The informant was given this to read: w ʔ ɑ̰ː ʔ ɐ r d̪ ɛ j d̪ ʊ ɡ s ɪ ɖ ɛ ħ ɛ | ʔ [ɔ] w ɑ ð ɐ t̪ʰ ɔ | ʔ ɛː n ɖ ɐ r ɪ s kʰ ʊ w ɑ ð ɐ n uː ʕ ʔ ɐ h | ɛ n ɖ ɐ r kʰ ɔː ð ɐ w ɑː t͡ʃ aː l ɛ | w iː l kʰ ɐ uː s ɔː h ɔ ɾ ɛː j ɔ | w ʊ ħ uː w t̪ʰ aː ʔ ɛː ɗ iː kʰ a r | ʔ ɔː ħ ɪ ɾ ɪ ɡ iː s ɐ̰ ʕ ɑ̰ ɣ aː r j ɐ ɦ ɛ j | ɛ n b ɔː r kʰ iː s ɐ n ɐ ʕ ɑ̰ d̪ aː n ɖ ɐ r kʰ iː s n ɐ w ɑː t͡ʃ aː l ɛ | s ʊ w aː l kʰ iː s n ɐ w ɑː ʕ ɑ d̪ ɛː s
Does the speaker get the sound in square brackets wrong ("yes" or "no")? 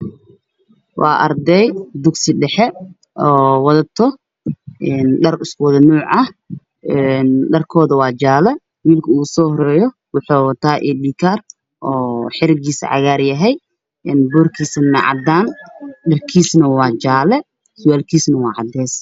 yes